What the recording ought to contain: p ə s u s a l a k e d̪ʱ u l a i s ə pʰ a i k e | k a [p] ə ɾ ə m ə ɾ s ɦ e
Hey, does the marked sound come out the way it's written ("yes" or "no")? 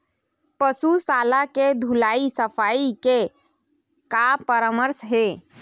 yes